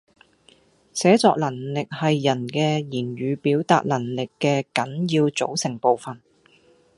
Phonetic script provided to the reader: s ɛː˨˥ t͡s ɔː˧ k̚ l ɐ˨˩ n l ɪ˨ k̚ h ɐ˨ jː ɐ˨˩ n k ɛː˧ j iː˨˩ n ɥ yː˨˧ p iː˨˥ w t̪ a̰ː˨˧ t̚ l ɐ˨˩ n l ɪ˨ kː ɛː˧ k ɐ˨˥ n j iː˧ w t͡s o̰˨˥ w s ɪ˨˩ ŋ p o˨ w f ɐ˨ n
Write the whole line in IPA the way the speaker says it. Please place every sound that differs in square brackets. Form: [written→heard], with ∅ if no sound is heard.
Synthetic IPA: s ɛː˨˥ t͡s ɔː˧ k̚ l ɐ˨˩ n l ɪ˨ k̚ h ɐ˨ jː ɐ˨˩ n k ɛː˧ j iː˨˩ n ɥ yː˨˧ p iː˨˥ w t̪ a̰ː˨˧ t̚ l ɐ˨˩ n l ɪ˨ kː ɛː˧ k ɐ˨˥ n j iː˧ w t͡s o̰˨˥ w s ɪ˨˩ ŋ p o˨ w f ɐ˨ n

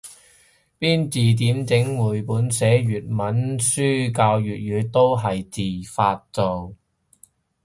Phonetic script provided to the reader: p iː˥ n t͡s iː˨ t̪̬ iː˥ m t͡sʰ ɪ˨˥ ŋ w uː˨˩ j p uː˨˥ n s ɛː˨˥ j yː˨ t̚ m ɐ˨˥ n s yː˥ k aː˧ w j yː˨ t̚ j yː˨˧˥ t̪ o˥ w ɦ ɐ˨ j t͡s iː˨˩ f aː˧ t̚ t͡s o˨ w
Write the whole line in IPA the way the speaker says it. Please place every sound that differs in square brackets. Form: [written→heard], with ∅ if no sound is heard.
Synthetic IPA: p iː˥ n t͡s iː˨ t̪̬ [iː˥→iː˨˥] m [t͡sʰ→t͡s] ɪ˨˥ ŋ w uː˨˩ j p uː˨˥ n s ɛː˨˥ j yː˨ t̚ m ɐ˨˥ n s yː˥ k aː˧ w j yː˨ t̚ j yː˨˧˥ t̪ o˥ w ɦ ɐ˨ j t͡s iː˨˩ f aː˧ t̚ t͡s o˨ w

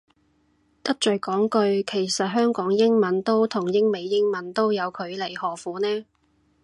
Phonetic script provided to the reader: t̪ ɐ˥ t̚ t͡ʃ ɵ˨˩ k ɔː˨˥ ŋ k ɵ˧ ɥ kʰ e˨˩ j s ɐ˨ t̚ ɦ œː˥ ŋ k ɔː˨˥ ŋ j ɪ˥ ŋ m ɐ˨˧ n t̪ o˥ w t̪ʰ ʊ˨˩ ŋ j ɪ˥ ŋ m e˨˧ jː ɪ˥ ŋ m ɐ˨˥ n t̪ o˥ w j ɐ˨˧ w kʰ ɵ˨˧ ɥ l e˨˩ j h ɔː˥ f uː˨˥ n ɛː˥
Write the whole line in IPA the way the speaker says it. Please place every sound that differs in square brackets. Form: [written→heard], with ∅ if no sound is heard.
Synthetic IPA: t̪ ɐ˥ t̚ t͡ʃ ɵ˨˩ k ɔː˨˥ ŋ k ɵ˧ ɥ kʰ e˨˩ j s ɐ˨ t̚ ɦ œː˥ ŋ k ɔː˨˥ ŋ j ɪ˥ ŋ m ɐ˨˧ n t̪ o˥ w t̪ʰ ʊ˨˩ ŋ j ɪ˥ ŋ m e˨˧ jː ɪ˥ ŋ m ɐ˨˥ n t̪ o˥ w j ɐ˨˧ w kʰ ɵ˨˧ ɥ l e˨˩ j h [ɔː˥→ɔː˨˩] f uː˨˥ n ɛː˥

